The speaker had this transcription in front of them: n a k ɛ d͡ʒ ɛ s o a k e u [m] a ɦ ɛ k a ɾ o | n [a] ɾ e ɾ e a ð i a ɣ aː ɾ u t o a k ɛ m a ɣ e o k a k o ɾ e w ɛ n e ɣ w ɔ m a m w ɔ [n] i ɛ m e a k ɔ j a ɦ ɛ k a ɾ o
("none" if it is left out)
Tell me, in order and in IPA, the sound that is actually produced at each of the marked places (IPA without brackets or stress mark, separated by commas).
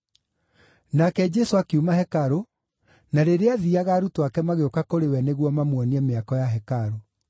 m, a, n